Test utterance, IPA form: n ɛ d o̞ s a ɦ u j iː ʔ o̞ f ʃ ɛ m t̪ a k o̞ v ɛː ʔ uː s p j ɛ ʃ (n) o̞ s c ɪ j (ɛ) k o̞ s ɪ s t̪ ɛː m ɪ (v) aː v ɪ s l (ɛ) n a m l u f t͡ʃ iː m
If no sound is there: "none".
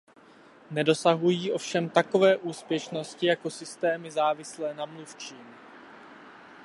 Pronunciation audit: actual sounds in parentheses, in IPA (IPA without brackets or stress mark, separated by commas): n, a, z, ɛː